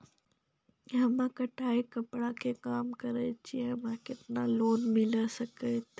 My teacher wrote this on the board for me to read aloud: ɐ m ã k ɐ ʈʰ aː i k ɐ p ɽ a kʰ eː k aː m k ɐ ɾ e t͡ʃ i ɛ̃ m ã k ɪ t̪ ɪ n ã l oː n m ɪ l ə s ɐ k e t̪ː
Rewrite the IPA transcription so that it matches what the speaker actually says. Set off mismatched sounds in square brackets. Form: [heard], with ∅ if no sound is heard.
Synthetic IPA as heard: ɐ m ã k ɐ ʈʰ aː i k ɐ p ɽ a kʰ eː k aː m k ɐ ɾ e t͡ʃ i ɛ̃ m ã k ɪ t̪ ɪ n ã l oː n m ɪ l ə s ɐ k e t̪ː